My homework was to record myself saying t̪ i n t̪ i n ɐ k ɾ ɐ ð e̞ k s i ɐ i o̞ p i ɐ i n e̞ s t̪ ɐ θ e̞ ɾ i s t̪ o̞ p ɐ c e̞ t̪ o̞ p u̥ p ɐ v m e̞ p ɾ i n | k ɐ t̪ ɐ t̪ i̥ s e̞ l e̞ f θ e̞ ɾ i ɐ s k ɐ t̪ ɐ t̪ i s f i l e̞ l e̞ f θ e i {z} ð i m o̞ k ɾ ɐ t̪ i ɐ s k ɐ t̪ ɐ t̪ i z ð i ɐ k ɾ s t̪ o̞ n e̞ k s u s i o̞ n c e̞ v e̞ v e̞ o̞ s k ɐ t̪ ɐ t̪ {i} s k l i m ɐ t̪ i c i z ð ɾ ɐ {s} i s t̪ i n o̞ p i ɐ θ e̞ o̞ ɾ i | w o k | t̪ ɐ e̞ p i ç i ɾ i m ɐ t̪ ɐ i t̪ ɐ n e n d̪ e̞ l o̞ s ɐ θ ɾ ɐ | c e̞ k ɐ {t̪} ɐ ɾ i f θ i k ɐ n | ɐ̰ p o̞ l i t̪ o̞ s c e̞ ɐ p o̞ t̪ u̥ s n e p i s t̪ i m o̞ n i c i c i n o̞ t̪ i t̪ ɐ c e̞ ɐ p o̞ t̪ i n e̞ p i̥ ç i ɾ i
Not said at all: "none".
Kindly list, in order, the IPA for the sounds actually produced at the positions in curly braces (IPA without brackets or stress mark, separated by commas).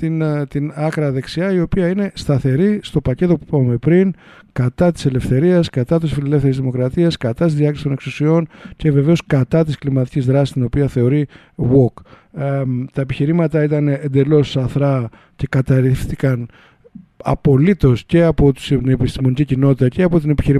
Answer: z, i, s, t̪